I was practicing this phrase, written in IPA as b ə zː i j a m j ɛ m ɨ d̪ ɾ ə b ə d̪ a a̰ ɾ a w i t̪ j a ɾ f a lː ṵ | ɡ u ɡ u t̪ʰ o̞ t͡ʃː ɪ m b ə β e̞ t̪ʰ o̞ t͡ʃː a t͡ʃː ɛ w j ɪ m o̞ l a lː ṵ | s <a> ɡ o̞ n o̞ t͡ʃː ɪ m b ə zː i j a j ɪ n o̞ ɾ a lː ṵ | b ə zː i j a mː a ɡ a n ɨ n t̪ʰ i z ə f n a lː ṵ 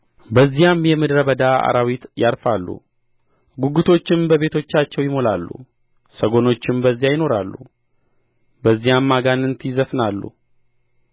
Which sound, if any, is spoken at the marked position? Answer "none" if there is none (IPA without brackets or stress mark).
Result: ə